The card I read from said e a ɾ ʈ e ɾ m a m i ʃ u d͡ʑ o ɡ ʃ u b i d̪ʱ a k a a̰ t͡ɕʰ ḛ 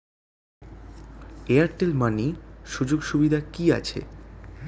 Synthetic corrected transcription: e a ɾ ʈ e l m a n i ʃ u d͡ʑ o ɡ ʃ u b i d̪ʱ a k i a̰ t͡ɕʰ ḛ